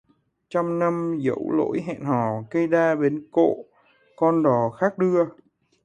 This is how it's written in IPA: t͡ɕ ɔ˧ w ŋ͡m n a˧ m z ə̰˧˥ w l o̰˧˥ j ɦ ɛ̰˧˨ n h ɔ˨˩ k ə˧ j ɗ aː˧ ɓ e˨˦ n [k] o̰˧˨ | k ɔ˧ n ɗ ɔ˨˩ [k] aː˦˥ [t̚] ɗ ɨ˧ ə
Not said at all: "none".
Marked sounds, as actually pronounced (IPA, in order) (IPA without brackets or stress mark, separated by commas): k, x, k̚